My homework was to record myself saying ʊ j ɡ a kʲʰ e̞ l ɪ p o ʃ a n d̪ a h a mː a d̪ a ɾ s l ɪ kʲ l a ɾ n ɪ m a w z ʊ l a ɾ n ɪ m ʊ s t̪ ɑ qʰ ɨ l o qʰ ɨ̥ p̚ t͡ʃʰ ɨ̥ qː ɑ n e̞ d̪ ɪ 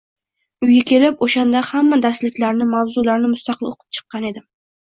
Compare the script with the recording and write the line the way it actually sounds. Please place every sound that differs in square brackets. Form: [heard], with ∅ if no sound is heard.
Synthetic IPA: ʊ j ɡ a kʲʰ e̞ l ɪ p o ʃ a n d̪ a h a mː a d̪ a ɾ s l ɪ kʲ l a ɾ n ɪ m a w z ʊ l a ɾ n ɪ m ʊ s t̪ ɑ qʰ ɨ l o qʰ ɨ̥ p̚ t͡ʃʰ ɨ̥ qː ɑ n e̞ d̪ ɪ